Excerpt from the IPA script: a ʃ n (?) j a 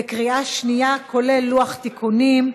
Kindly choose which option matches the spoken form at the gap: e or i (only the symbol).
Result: i